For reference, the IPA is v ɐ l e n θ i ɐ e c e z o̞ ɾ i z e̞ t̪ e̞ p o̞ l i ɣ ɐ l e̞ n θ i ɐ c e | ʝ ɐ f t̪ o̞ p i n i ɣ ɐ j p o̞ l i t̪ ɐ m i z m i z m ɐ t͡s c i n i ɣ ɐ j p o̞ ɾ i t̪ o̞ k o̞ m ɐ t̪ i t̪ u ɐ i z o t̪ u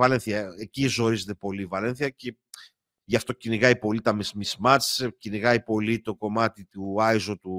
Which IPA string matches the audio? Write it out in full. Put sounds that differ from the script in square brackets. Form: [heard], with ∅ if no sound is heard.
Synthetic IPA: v ɐ l e n θ i ɐ e c [i] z o̞ ɾ i z e̞ t̪ e̞ p o̞ l i [v] ɐ l e̞ n θ i ɐ c e | ʝ ɐ f t̪ o̞ [c] i n i ɣ ɐ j p o̞ l i t̪ ɐ m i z m i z m ɐ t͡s c i n i ɣ ɐ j p o̞ [l] i t̪ o̞ k o̞ m ɐ t̪ i t̪ u ɐ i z o t̪ u